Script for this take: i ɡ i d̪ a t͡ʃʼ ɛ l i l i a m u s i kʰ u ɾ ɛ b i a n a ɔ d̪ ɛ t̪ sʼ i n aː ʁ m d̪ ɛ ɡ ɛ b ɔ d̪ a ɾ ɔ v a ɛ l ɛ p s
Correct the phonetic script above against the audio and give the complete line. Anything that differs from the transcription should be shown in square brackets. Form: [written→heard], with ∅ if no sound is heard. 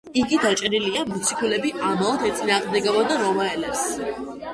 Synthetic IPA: i ɡ i d̪ a t͡ʃʼ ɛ [l→ɾ] i l i a m u s i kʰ u [ɾ→l] ɛ b i a [n→m] a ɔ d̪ ɛ t̪ sʼ i n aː ʁ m d̪ ɛ ɡ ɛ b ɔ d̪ a ɾ ɔ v a ɛ l ɛ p s